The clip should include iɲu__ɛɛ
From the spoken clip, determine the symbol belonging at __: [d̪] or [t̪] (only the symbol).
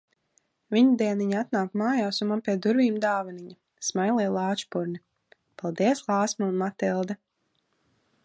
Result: d̪